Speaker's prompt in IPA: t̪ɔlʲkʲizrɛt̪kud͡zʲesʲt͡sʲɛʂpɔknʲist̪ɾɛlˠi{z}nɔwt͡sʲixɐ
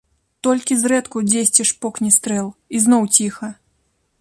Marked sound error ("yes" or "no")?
no